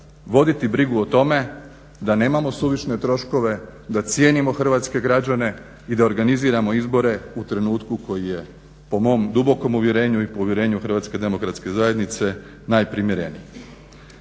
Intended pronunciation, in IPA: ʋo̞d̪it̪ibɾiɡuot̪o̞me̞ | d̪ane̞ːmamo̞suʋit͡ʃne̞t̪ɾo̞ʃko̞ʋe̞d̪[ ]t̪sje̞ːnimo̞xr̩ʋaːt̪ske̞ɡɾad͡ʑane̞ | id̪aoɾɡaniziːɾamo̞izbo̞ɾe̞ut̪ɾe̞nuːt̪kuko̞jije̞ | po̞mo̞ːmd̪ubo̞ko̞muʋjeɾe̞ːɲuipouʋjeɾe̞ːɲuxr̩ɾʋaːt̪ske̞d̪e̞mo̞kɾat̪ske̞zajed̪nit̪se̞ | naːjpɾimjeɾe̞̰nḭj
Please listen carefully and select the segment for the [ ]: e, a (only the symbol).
a